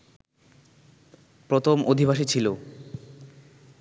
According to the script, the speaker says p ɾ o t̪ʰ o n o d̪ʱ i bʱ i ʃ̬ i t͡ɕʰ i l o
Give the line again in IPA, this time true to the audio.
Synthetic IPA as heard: p ɾ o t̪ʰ o m o d̪ʱ i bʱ a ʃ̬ i t͡ɕʰ i l o